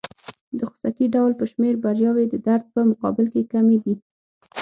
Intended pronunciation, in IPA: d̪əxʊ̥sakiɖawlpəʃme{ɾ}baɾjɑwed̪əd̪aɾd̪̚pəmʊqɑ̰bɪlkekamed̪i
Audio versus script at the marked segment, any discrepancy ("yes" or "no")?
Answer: no